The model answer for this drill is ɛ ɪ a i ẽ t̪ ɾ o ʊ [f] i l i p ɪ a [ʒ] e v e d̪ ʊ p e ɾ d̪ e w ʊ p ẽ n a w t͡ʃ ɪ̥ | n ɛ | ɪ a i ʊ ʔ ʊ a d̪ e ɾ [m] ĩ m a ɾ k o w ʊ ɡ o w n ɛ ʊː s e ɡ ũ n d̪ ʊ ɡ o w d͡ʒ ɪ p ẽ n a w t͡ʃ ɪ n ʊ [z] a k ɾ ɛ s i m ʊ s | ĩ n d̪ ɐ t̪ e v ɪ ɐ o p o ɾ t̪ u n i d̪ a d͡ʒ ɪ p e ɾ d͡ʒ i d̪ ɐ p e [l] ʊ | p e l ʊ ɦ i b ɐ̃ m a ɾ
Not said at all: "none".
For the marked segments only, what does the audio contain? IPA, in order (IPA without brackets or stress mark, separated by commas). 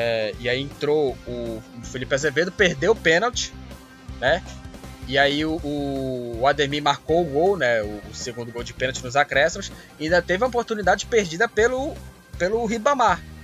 f, z, m, z, l